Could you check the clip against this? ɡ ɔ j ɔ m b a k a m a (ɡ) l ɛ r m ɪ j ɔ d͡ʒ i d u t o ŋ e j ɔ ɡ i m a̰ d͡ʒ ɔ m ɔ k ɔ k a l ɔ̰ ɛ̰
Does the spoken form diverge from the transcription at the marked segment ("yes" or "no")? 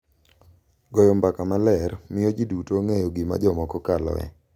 yes